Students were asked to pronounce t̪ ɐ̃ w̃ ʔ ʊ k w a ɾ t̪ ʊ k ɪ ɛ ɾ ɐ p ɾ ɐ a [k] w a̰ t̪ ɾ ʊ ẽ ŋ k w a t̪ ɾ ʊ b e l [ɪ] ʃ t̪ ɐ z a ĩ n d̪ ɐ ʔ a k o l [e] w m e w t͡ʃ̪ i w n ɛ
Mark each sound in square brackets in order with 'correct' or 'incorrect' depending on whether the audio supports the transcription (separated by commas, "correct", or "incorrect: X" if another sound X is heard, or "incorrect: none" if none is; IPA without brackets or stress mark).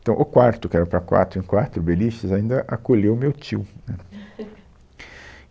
correct, incorrect: i, correct